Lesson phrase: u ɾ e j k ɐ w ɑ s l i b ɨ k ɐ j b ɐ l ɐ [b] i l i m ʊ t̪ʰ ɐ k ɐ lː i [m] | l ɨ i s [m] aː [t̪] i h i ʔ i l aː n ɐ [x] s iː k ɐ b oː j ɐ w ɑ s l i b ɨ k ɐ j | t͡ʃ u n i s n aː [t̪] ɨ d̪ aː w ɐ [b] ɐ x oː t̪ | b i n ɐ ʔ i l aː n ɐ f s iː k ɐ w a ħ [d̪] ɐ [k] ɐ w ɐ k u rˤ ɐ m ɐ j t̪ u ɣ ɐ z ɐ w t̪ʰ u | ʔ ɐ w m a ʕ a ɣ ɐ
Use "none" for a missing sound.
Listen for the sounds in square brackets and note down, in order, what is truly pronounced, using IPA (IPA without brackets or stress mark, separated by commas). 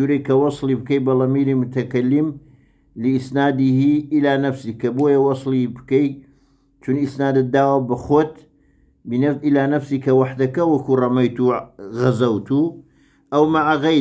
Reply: m, m, n, d̪, f, d̪, b, d̪, k